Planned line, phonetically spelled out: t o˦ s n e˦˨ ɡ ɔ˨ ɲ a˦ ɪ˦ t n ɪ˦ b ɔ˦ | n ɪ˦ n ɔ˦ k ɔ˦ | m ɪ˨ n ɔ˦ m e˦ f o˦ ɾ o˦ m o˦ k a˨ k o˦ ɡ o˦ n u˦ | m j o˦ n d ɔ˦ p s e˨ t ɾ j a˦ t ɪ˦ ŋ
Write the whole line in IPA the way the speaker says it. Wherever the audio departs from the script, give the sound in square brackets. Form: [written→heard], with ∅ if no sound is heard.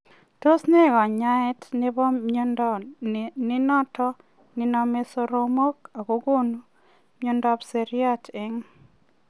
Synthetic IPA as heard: t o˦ s n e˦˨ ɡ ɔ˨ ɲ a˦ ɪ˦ t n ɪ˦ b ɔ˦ | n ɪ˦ n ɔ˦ [k→t] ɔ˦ | [m→n] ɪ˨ n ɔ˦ m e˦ [f→s] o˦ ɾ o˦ m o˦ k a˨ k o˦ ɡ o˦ n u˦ | m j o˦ n d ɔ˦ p s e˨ [t→∅] ɾ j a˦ t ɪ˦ ŋ